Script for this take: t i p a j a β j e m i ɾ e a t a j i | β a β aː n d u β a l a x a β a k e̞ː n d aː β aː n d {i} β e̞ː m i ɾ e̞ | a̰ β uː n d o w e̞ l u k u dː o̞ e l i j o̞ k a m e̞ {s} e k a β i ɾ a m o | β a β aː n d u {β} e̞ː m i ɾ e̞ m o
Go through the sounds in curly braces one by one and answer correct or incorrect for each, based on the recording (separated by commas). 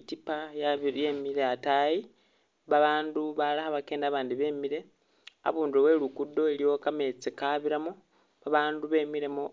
correct, incorrect, correct